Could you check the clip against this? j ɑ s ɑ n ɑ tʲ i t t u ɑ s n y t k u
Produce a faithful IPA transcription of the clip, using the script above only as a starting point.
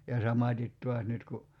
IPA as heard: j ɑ s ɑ m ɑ tʲ i t t u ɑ s n y t k u